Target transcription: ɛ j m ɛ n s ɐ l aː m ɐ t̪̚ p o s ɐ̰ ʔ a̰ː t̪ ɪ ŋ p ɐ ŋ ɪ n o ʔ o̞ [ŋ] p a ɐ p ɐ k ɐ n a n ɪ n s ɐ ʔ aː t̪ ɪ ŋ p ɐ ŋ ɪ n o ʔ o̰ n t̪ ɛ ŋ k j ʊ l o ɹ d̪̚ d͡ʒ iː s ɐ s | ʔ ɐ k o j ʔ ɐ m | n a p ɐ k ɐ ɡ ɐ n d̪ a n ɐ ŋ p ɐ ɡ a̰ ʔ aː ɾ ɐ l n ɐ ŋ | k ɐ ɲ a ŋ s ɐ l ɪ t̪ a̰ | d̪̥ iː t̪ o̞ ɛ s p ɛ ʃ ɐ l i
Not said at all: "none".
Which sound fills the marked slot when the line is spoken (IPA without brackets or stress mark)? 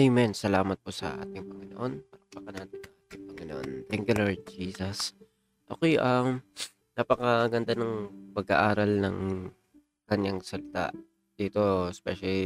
n